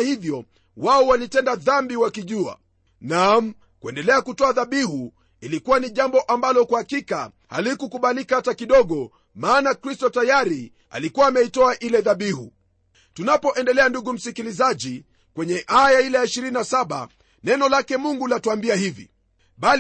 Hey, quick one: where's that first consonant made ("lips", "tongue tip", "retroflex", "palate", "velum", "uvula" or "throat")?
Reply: throat